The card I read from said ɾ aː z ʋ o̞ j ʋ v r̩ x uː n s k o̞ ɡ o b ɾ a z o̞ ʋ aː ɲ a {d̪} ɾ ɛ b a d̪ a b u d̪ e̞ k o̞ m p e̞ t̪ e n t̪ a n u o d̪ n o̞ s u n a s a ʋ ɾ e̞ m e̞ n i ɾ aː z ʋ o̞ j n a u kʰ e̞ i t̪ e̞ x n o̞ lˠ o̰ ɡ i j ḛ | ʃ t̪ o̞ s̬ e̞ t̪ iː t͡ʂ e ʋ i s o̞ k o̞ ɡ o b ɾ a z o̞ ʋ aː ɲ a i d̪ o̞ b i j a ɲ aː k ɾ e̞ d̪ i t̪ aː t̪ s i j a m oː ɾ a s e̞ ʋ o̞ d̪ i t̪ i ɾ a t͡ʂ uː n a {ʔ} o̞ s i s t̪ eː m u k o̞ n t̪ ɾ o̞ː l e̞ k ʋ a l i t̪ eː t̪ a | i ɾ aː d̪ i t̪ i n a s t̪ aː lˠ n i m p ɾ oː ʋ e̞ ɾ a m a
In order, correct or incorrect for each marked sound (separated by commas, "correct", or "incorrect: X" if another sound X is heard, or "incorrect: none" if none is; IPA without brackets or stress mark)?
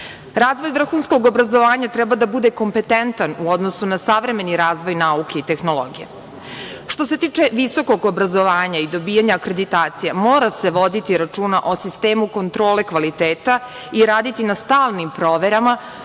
incorrect: t̪, correct